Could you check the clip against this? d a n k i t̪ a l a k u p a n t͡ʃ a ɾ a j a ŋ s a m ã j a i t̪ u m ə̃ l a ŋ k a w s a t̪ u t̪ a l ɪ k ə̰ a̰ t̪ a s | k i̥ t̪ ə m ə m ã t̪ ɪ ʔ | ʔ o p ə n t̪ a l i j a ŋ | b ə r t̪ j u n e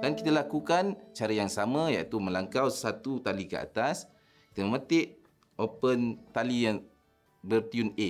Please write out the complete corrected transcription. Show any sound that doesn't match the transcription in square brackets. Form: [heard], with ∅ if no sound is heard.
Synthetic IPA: d a n k i t̪ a l a k u [k] a n t͡ʃ a ɾ a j a ŋ s a m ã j a i t̪ u m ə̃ l a ŋ k a w s a t̪ u t̪ a l [i] k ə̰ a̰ t̪ a s | k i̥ t̪ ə m ə m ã t̪ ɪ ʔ | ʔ o p ə n t̪ a l i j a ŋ | b ə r t̪ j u n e